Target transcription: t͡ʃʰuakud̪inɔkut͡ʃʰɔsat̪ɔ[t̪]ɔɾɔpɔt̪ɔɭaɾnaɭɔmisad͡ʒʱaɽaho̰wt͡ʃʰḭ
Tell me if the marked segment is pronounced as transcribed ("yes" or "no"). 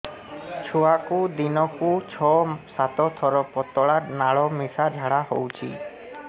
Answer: no